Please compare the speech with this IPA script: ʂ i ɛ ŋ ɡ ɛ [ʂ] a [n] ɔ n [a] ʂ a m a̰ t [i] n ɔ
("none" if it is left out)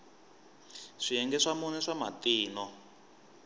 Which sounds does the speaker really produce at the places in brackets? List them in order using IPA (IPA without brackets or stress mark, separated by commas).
ʂ, m, ɛ, iː